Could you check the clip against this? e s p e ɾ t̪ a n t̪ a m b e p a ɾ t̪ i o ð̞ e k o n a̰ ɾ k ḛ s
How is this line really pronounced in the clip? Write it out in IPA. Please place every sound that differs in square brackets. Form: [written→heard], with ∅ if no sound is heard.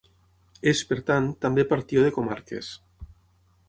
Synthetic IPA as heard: e s p e ɾ t̪ a n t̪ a m b e p a ɾ t̪ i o ð̞ e k o [n→m] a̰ ɾ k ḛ s